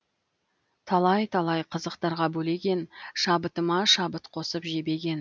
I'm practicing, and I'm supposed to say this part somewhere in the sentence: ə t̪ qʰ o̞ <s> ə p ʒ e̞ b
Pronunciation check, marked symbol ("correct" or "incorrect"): correct